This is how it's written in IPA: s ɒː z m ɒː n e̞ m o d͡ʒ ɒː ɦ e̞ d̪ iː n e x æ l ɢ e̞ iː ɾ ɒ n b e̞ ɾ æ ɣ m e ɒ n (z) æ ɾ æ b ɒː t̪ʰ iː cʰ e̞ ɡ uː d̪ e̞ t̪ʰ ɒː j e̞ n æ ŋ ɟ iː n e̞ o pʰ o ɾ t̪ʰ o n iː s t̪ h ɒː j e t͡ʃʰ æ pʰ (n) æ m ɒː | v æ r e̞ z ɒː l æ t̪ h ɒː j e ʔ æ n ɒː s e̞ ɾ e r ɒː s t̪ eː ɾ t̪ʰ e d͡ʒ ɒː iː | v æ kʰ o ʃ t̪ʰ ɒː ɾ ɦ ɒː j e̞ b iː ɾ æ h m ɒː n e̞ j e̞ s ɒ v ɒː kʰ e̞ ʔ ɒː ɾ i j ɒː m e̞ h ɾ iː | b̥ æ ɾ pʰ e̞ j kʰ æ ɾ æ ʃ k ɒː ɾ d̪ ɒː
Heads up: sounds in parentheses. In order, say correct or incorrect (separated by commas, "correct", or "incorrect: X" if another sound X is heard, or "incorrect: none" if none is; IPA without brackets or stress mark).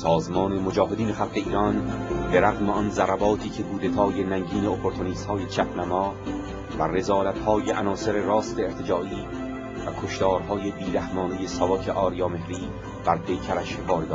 correct, correct